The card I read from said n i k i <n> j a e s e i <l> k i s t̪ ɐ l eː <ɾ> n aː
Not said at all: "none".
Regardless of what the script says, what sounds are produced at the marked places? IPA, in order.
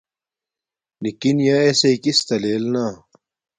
n, none, l

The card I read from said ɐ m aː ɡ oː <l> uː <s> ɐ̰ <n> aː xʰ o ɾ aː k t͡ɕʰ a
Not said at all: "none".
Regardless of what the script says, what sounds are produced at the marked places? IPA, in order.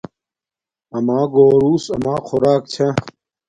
ɾ, s, m

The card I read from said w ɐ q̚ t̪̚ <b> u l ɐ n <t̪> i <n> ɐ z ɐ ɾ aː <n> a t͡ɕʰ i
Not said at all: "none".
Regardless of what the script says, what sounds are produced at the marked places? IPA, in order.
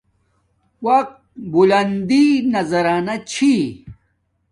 b, d̪, n, n

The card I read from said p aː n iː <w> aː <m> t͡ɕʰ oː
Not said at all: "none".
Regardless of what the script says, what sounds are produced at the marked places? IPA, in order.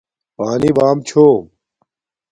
b, m

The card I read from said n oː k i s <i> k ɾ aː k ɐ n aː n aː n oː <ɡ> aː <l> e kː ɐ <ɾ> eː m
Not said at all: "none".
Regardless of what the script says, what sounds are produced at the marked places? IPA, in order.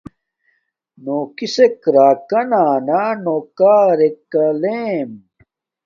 e, k, ɾ, l

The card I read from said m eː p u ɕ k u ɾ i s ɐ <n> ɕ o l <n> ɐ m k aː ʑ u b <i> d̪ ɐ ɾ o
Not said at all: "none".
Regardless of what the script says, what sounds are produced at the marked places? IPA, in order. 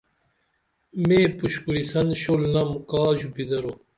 n, n, i

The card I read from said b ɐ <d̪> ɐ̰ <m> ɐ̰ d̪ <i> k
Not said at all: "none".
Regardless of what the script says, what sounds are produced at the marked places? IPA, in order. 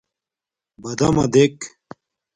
d̪, m, e

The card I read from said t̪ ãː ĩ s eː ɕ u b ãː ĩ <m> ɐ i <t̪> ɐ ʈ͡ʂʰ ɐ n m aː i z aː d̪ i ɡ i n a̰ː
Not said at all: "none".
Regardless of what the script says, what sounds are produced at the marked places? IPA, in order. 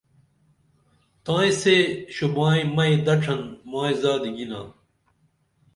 m, d̪

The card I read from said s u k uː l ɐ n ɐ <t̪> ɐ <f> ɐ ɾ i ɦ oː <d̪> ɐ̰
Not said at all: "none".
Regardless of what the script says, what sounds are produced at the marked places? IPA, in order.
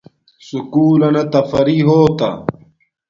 t̪, f, t̪

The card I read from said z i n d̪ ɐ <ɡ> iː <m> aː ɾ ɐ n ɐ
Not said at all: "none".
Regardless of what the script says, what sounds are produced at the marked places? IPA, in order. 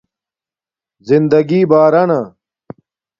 ɡ, b

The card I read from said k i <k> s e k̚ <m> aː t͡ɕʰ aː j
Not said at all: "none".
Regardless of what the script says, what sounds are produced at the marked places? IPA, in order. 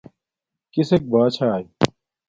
none, b

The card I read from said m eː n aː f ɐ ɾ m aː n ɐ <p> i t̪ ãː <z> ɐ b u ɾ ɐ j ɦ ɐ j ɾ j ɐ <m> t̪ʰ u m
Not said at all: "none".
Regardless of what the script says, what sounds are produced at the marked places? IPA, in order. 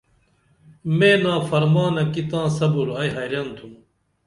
k, s, n

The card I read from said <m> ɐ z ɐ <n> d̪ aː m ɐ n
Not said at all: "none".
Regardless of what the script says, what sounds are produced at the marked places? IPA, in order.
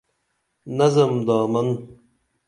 n, m

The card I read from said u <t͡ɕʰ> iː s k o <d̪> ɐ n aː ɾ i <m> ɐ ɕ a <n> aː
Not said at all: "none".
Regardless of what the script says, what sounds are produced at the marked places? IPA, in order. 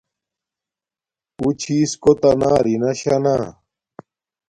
t͡ɕʰ, t̪, n, n

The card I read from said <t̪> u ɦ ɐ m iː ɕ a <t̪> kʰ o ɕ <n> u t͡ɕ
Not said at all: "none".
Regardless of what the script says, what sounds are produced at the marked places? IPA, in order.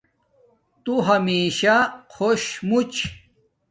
t̪, none, m

